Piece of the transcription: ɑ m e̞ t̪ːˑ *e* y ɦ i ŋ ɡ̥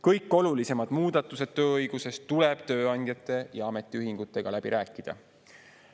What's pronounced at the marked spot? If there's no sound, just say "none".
i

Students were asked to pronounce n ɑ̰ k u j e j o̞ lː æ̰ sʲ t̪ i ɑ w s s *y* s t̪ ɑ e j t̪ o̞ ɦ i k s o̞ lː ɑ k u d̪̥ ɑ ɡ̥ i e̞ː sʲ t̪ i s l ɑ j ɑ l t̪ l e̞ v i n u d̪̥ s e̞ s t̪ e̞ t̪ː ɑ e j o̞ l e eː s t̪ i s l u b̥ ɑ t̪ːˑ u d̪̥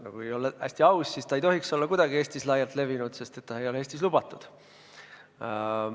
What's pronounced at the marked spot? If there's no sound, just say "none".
i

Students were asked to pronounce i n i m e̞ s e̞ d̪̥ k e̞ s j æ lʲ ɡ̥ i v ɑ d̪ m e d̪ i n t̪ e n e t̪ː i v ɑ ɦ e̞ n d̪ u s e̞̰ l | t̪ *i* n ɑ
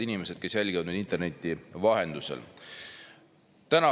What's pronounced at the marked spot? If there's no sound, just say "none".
æ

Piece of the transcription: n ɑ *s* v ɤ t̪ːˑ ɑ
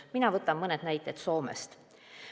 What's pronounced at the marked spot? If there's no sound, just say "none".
none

